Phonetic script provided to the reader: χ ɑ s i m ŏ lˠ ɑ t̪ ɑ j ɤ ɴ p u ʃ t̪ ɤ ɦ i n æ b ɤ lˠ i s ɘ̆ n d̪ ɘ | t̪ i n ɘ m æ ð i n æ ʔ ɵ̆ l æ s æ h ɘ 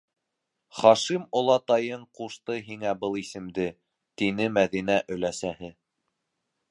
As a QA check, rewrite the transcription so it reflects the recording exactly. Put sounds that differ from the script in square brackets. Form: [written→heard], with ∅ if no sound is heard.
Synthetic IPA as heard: χ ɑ [s→ʃ] i m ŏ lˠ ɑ t̪ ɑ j ɤ ɴ [p→q] u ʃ t̪ ɤ ɦ i [n→ŋ] æ b ɤ lˠ i s ɘ̆ [n→m] d̪ ɘ | t̪ i n ɘ m æ ð i n æ ʔ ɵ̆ l æ s æ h ɘ